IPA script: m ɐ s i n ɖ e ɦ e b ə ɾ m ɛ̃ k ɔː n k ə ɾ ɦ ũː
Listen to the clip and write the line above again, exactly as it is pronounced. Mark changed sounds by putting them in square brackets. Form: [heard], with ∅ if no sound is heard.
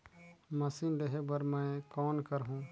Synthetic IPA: m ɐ s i n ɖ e ɦ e b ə ɾ m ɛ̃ k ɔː n k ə ɾ ɦ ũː